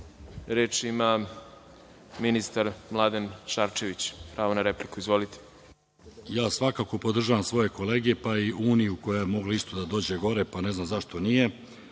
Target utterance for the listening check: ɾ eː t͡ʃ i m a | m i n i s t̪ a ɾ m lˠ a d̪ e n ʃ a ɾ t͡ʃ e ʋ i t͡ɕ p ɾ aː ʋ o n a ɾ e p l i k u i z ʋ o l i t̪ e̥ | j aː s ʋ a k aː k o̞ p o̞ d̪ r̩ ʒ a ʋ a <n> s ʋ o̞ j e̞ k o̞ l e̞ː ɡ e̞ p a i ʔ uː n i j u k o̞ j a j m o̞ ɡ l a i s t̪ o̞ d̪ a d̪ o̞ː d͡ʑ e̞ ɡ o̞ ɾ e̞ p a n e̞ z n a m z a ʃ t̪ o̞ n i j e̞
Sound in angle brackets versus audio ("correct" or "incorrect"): incorrect